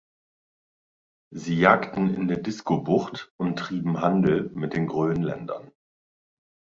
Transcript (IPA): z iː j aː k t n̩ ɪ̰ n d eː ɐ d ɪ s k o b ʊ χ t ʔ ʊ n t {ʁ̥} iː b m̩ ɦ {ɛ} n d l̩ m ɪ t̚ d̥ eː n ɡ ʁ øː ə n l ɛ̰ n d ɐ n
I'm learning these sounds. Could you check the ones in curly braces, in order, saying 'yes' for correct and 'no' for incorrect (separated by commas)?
yes, no